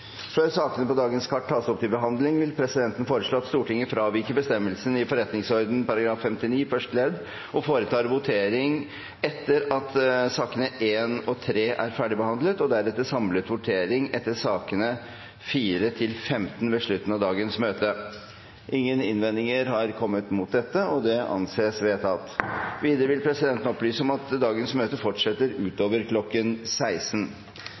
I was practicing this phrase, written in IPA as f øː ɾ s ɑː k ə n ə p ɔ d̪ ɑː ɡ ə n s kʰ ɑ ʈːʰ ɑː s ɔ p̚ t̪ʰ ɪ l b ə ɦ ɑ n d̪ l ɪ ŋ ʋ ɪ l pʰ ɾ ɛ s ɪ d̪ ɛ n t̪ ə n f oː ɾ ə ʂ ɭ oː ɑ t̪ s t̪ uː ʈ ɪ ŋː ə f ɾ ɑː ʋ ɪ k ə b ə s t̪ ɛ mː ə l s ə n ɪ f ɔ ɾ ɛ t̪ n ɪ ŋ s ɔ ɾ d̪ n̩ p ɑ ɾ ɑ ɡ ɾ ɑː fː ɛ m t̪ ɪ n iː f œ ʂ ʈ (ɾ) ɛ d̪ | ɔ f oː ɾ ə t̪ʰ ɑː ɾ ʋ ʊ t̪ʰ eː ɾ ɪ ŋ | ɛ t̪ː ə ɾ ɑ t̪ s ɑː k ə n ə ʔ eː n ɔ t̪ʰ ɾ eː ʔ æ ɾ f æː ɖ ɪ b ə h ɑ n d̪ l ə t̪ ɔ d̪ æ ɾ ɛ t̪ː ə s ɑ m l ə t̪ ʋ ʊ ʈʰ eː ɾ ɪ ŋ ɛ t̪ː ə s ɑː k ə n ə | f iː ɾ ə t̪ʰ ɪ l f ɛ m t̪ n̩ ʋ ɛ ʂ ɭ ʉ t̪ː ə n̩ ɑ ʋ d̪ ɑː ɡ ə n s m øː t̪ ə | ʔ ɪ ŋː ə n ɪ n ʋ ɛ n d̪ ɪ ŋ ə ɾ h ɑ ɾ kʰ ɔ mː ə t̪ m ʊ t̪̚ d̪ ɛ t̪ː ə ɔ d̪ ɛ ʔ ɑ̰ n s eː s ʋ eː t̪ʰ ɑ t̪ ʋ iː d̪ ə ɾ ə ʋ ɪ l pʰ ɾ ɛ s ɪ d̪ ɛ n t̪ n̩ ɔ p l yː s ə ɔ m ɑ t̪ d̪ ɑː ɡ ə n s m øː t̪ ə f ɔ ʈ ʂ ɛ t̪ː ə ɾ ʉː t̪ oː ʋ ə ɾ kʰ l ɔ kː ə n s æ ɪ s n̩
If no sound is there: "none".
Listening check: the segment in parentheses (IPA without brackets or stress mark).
l